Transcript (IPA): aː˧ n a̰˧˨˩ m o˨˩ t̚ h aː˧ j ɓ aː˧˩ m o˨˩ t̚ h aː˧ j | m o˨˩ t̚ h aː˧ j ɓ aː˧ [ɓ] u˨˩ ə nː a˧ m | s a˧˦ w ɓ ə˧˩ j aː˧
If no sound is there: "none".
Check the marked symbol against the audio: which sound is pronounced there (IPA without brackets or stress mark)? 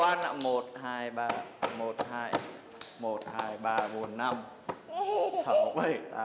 ɓ